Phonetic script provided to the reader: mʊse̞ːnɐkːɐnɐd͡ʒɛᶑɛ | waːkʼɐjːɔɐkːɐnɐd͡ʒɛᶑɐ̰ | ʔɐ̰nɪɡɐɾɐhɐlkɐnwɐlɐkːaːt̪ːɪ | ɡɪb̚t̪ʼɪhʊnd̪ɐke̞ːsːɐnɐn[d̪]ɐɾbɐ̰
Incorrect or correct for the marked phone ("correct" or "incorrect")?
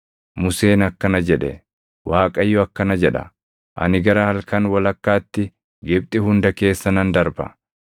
correct